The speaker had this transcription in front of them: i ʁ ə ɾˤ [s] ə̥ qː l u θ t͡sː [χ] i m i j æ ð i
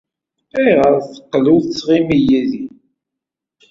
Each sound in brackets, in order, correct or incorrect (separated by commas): incorrect, incorrect